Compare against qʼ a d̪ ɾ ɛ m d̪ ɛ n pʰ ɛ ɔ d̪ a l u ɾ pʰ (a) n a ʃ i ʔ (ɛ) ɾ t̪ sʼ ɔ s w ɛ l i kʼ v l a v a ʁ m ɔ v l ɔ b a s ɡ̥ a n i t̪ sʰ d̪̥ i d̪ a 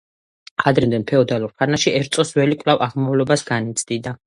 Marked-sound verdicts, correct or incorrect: correct, correct

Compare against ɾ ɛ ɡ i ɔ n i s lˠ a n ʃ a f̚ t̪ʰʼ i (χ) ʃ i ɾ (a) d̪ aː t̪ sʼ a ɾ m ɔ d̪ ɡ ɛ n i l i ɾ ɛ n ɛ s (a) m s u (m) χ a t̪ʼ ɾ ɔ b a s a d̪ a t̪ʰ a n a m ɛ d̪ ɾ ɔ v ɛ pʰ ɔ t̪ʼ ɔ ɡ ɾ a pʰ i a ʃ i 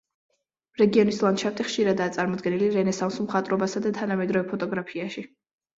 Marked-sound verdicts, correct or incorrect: correct, correct, correct, correct

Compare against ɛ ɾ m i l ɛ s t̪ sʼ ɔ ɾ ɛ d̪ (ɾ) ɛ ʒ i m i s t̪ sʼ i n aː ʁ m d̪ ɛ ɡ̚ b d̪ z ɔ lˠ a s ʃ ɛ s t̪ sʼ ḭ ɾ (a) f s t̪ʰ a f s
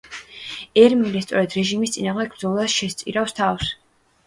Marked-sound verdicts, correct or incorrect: correct, correct

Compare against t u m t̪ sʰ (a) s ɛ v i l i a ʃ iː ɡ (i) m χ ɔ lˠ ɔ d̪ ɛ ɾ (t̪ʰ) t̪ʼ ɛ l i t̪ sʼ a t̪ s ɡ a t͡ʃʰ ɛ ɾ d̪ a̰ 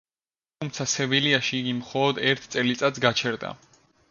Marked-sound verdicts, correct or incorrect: correct, correct, correct

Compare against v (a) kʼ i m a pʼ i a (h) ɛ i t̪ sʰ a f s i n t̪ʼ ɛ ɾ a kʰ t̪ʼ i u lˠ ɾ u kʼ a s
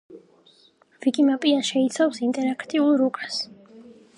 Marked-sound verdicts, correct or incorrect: incorrect, incorrect

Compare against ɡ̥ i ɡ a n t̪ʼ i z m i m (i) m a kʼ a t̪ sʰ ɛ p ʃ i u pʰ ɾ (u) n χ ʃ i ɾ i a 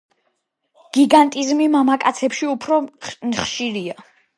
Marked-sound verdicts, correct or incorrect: incorrect, incorrect

